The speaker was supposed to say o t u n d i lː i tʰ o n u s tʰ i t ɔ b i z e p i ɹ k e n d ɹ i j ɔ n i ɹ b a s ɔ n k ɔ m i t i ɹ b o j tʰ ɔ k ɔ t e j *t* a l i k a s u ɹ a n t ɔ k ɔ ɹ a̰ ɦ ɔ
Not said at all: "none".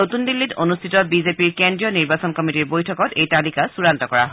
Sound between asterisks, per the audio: t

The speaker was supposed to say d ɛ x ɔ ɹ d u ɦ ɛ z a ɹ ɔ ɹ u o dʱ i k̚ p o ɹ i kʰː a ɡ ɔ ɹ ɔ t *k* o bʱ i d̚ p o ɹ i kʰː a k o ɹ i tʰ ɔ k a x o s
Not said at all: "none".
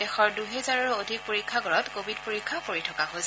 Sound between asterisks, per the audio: k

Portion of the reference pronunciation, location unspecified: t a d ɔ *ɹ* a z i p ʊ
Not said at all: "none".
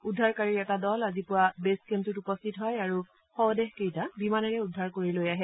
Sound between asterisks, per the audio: l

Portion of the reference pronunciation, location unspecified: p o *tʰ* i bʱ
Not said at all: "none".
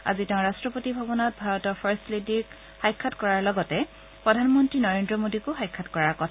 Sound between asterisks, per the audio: t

